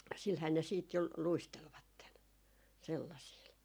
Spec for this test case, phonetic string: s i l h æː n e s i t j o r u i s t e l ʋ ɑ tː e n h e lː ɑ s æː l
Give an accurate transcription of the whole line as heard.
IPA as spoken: s i l h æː n e s iː t j o l u i s t e l ʋ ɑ tː e n s e lː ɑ s iː l